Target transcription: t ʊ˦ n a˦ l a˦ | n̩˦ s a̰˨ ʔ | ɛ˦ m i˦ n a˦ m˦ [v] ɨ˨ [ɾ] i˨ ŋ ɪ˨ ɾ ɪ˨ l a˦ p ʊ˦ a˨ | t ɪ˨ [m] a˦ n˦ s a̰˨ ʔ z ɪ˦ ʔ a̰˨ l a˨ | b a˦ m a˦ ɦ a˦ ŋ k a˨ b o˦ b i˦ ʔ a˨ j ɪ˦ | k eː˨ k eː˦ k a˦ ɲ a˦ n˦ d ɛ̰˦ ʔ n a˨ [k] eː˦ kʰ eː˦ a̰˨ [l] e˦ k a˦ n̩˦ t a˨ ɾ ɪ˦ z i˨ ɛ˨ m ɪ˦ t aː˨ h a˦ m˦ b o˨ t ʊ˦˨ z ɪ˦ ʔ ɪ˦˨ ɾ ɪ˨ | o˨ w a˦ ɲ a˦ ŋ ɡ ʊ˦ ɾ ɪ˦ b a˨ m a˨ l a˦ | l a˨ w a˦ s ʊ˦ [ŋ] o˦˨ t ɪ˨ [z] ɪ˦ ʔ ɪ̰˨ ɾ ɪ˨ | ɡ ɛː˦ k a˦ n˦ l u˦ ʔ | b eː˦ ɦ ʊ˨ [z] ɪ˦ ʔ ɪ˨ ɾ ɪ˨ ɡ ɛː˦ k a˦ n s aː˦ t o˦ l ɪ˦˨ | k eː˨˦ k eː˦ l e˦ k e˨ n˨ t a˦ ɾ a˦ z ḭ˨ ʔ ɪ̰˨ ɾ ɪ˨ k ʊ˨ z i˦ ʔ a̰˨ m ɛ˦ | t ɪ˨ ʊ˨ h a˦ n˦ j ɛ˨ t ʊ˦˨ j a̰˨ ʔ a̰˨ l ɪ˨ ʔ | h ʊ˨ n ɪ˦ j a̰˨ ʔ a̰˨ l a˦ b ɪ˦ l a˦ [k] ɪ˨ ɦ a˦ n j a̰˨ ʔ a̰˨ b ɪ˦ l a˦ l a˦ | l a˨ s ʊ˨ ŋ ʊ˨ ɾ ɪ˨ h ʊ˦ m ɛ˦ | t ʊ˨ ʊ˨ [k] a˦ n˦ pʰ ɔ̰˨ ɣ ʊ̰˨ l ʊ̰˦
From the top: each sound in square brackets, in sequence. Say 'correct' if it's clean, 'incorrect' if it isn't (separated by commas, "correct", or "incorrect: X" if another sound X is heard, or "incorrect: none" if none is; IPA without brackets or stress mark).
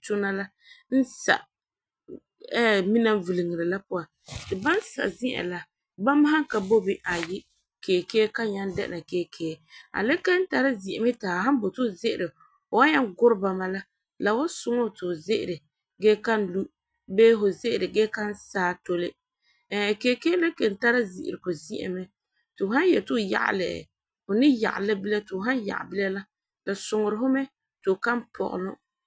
correct, incorrect: l, incorrect: b, correct, correct, correct, correct, correct, incorrect: t, correct